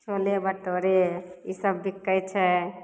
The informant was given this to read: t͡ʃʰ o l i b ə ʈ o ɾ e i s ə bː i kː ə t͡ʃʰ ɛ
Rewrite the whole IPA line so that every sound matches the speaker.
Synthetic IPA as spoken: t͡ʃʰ o l e b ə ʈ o ɾ e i s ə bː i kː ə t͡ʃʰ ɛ